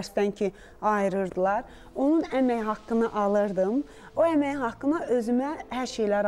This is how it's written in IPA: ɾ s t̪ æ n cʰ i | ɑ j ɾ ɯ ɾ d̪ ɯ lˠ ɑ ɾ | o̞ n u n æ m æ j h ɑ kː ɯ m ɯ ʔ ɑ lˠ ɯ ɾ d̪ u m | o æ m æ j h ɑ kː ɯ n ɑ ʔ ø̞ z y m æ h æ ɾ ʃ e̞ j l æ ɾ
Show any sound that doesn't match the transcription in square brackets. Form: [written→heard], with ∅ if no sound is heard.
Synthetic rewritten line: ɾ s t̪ æ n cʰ i | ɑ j ɾ ɯ ɾ d̪ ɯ lˠ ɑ ɾ | o̞ n u n æ m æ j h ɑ kː ɯ [m→n] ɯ ʔ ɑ lˠ ɯ ɾ d̪ [u→ɯ] m | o æ m æ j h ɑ kː ɯ n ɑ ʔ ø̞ z y m æ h æ ɾ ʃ e̞ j l æ ɾ